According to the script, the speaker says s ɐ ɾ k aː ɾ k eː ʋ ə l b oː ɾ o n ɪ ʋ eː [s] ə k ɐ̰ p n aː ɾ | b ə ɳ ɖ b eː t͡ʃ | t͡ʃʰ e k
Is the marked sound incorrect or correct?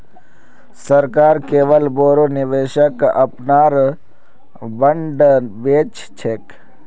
incorrect